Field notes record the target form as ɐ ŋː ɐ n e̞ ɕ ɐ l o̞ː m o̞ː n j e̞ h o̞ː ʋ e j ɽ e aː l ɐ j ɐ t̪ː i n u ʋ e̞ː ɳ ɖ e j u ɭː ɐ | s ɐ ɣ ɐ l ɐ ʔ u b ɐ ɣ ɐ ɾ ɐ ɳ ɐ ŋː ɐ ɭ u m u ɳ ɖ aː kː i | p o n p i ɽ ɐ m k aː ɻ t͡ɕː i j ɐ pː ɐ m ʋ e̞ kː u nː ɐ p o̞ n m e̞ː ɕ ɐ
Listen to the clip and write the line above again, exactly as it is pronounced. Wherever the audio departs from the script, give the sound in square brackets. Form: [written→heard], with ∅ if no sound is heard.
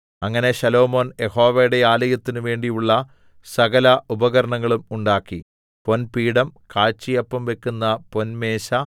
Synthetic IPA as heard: ɐ ŋː ɐ n e̞ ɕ ɐ l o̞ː m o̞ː n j e̞ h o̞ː ʋ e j ɽ e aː l ɐ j ɐ t̪ː i n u ʋ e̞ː ɳ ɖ [e→i] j u ɭː ɐ | s ɐ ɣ ɐ l ɐ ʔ u b ɐ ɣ ɐ ɾ ɐ ɳ ɐ ŋː ɐ ɭ u m u ɳ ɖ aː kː i | p o n p [i→iː] ɽ ɐ m k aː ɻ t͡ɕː i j ɐ pː ɐ m ʋ e̞ kː u nː ɐ p o̞ n m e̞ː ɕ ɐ

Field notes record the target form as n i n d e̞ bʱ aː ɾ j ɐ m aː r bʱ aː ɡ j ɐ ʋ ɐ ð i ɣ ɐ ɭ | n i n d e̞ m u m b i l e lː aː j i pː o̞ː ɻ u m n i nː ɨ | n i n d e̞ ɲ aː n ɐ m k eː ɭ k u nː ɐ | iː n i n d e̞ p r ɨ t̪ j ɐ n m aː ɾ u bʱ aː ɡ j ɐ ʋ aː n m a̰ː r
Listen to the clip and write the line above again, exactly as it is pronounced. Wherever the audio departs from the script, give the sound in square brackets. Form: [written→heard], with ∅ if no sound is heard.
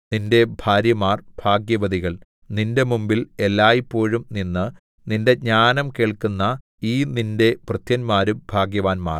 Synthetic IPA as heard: n i n d e̞ bʱ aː ɾ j ɐ m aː r bʱ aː ɡ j ɐ ʋ ɐ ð i ɣ ɐ ɭ | n i n d e̞ m u m b i l e lː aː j i pː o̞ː ɻ u m n i nː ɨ | n i n d e̞ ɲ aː n ɐ m k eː ɭ k u nː ɐ | iː n i n d e̞ p r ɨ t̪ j ɐ n m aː ɾ u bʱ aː ɡ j ɐ ʋ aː n m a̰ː r

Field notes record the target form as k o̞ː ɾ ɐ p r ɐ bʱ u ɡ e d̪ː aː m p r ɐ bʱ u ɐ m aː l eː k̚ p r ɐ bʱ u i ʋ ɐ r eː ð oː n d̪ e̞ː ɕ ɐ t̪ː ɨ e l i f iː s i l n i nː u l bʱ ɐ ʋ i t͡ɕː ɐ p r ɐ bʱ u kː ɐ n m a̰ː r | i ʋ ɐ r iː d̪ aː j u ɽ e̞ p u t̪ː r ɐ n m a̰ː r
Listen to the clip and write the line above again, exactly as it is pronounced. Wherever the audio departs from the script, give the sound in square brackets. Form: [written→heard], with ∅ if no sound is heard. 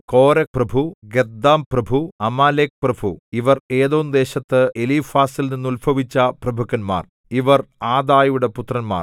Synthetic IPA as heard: k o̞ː ɾ ɐ p r ɐ bʱ u ɡ e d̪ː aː m p r ɐ bʱ u ɐ m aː l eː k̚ p r ɐ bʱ u i ʋ ɐ r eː ð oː n d̪ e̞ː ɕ ɐ t̪ː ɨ e l i f [iː→aː] s i l n i nː u l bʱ ɐ ʋ i t͡ɕː ɐ p r ɐ bʱ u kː ɐ n m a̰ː r | i ʋ ɐ r [iː→aː] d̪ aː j u ɽ e̞ p u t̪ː r ɐ n m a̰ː r

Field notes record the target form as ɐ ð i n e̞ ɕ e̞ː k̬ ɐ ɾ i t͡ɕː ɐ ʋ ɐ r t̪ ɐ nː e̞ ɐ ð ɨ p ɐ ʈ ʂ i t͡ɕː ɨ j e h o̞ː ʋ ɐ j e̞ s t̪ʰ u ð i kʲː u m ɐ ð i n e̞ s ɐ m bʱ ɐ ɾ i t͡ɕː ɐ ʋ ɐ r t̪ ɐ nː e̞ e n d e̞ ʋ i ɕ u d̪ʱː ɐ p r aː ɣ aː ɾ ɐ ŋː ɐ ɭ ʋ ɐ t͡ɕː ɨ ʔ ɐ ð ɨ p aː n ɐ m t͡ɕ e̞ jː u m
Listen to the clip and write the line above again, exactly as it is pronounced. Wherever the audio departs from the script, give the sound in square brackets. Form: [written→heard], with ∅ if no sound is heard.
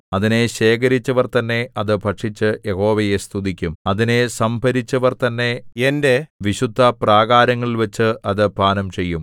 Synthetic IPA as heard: ɐ ð i n e̞ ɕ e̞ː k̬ ɐ ɾ i t͡ɕː ɐ ʋ ɐ r t̪ ɐ nː e̞ ɐ ð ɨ p ɐ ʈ ʂ i t͡ɕː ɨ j e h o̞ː ʋ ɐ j e̞ s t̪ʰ u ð i kʲː u m ɐ ð i n e̞ s ɐ m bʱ ɐ ɾ i t͡ɕː ɐ ʋ ɐ r t̪ ɐ nː e̞ e n d e̞ ʋ i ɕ u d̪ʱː ɐ p r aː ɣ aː ɾ ɐ ŋː ɐ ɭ ʋ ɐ t͡ɕː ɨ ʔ ɐ ð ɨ p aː n ɐ m t͡ɕ e̞ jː u m

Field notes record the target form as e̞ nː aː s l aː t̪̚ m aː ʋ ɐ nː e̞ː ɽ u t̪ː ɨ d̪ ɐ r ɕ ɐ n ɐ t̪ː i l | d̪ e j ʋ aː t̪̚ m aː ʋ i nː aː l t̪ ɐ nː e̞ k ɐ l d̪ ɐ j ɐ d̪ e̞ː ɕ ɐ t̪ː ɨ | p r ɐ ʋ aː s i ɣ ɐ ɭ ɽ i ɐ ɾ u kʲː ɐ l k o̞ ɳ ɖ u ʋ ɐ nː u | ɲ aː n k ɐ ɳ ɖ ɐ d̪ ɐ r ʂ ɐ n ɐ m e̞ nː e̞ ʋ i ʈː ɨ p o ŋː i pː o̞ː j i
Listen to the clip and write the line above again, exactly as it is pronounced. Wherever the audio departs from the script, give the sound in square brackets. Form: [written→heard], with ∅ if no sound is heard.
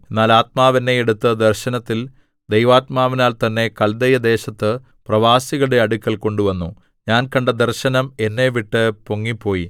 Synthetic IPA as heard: e̞ nː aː [s→∅] l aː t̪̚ m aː ʋ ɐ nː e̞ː ɽ u t̪ː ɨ d̪ ɐ r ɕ ɐ n ɐ t̪ː i l | d̪ e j ʋ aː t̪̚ m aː ʋ i [nː→n] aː l t̪ ɐ nː e̞ k ɐ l d̪ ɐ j ɐ d̪ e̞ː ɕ ɐ t̪ː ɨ | p r ɐ ʋ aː s i ɣ ɐ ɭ ɽ [i→e] ɐ [ɾ→ɽ] u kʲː ɐ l k o̞ ɳ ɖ u ʋ ɐ nː u | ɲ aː n k ɐ ɳ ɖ ɐ d̪ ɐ r [ʂ→ɕ] ɐ n ɐ m e̞ nː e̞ ʋ i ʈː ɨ p o ŋː i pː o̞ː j i

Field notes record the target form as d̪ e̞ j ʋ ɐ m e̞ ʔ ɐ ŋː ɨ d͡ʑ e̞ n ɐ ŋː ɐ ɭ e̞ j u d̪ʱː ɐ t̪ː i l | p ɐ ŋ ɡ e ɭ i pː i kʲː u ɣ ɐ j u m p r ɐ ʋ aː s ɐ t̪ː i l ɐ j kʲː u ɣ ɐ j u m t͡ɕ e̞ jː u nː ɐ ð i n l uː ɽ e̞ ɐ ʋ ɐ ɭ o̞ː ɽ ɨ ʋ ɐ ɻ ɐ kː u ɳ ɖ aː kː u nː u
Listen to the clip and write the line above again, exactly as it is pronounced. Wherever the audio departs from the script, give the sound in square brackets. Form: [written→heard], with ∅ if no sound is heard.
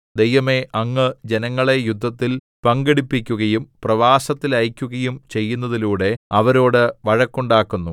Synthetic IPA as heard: d̪ e̞ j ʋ ɐ m e̞ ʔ ɐ ŋː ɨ d͡ʑ e̞ n ɐ ŋː ɐ ɭ e̞ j u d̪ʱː ɐ t̪ː i l | p ɐ ŋ ɡ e [ɭ→ɽ] i pː i kʲː u ɣ ɐ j u m p r ɐ ʋ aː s ɐ t̪ː i l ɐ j kʲː u ɣ ɐ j u m t͡ɕ e̞ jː u nː ɐ ð i [n→∅] l uː ɽ e̞ ɐ ʋ ɐ [ɭ→ɾ] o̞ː ɽ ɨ ʋ ɐ ɻ ɐ kː u ɳ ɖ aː kː u nː u

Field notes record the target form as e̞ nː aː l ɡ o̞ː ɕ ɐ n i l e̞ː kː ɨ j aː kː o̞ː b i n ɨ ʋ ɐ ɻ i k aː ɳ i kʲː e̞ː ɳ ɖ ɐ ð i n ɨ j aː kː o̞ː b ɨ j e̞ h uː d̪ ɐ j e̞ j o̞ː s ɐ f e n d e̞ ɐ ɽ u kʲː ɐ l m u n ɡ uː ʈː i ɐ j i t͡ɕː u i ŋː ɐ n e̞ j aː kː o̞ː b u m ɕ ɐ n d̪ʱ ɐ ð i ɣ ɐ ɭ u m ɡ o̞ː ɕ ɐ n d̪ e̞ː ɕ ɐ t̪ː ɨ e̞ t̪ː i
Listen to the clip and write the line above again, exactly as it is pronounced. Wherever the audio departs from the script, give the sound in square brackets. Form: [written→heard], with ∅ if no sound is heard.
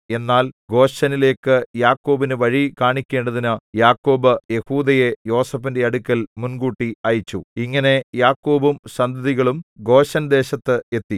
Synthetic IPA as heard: e̞ nː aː l ɡ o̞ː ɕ ɐ n i l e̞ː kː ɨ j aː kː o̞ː b i n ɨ ʋ ɐ ɻ i k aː ɳ i kʲː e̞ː ɳ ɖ ɐ ð i n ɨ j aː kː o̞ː b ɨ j e̞ h uː d̪ ɐ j e̞ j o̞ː s ɐ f [e→i] n d e̞ ɐ ɽ u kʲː ɐ l m u n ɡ uː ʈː i ɐ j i t͡ɕː u i ŋː ɐ n e̞ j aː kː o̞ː b u m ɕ ɐ n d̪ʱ ɐ ð i ɣ ɐ ɭ u m ɡ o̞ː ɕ ɐ n d̪ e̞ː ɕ ɐ t̪ː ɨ e̞ t̪ː i

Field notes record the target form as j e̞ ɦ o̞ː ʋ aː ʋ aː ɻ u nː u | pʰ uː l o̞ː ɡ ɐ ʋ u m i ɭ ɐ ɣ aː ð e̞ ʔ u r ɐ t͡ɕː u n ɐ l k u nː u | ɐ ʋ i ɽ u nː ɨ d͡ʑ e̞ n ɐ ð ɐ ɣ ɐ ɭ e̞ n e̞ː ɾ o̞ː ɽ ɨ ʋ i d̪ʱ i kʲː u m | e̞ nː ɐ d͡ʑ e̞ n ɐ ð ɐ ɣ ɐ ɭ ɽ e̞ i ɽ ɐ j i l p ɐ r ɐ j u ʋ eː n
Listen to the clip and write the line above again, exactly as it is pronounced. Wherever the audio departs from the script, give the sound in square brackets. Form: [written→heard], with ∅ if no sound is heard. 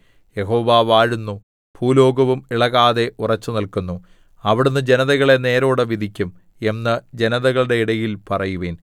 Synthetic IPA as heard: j e̞ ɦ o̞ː ʋ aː ʋ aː ɻ u nː u | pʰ uː l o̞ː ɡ ɐ ʋ u m i ɭ ɐ ɣ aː ð e̞ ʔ u r ɐ t͡ɕː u n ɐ l k u nː u | ɐ ʋ i ɽ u nː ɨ d͡ʑ e̞ n ɐ ð ɐ ɣ ɐ ɭ e̞ n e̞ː ɾ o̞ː ɽ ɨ ʋ i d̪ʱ i kʲː u m | e̞ nː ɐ d͡ʑ e̞ n ɐ ð ɐ ɣ ɐ ɭ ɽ e̞ i ɽ ɐ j i l p ɐ r ɐ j u ʋ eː n

